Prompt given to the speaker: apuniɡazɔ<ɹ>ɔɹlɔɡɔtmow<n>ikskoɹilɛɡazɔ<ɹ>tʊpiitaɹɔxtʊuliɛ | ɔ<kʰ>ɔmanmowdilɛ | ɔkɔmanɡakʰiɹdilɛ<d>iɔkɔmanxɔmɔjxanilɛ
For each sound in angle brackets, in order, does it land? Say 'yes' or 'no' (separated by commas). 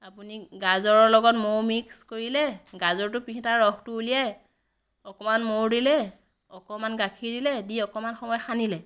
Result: yes, no, yes, no, yes